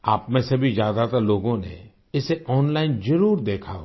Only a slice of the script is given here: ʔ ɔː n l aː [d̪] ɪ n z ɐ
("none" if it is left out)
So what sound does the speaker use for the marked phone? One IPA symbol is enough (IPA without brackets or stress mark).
none